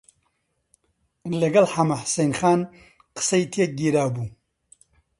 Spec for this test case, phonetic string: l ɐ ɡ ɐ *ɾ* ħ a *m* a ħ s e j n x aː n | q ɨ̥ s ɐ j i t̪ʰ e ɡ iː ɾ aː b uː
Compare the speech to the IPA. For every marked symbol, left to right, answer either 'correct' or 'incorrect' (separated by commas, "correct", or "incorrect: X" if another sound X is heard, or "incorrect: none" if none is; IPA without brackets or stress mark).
incorrect: l, correct